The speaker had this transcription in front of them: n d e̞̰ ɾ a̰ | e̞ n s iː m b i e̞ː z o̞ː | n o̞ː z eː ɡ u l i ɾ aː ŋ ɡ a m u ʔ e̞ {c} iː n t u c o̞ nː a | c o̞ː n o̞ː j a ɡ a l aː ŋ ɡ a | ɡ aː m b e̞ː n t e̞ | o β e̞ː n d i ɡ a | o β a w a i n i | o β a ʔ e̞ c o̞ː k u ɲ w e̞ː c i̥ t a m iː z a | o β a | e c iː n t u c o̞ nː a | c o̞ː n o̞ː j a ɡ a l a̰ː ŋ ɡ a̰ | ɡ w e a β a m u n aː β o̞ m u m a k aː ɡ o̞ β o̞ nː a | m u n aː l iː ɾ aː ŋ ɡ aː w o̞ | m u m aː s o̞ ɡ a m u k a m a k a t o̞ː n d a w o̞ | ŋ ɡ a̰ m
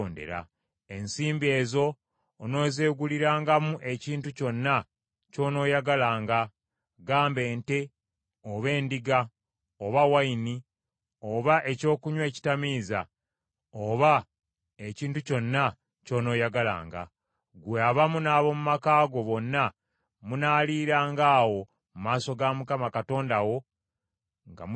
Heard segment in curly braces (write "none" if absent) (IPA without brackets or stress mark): c